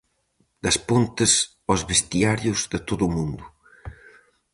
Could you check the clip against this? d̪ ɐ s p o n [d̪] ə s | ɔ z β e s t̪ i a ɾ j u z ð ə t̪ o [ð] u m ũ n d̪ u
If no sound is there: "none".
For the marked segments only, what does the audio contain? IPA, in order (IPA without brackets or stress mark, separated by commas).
t̪, ð